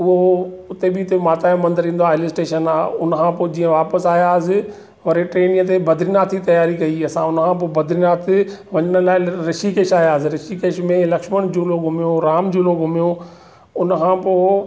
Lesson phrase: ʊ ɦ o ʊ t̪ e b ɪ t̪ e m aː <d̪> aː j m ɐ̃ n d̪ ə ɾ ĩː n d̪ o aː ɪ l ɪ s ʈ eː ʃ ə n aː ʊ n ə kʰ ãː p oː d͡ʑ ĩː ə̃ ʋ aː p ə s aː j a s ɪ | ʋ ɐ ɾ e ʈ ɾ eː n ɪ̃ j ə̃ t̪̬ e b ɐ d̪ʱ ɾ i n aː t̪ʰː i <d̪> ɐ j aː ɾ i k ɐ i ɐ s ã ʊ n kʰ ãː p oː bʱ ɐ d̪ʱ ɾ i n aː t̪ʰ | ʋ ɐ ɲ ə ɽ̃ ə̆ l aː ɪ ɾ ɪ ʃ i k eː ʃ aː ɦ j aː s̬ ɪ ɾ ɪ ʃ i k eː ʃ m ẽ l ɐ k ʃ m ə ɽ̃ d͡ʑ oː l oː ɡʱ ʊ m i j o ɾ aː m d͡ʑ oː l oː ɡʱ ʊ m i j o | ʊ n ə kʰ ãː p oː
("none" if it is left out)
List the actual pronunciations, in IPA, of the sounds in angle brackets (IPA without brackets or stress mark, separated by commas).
t̪, t̪